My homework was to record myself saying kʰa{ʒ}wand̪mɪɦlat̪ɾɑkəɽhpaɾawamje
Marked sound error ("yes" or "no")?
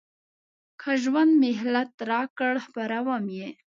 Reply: no